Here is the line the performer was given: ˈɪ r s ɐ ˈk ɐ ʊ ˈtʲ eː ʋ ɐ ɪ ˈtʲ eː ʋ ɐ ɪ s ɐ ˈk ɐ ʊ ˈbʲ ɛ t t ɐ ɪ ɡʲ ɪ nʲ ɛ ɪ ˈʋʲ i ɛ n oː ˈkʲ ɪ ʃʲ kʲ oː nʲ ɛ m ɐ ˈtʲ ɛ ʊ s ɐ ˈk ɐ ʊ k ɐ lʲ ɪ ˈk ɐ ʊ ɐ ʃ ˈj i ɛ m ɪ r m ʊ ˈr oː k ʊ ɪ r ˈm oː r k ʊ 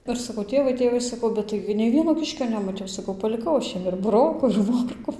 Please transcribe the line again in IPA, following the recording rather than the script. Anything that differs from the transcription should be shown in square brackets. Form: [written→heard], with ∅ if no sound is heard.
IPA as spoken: ˈɪ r s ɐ ˈk ɐ ʊ ˈtʲ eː ʋ ɐ ɪ ˈtʲ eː ʋ ɐ ɪ s ɐ ˈk ɐ ʊ ˈbʲ ɛ t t ɐ ɪ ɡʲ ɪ nʲ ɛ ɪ ˈʋʲ i ɛ n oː ˈkʲ ɪ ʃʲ kʲ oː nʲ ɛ m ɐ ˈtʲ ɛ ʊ s ɐ ˈk ɐ ʊ [k→p] ɐ lʲ ɪ ˈk ɐ ʊ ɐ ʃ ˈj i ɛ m ɪ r [m→b] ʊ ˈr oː k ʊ ɪ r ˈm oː r k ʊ